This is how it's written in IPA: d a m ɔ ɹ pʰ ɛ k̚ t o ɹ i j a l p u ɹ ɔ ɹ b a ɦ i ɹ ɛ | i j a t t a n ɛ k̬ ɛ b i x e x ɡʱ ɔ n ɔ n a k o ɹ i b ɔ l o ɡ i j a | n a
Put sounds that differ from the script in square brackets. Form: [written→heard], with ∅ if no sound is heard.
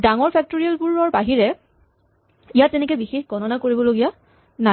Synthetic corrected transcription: d a [m→ŋ] ɔ ɹ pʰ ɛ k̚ t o ɹ i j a l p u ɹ ɔ ɹ b a ɦ i ɹ ɛ | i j a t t [a→ɛ] n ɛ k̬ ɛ b i x e x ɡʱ ɔ n ɔ n a k o ɹ i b ɔ l o ɡ i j a | n a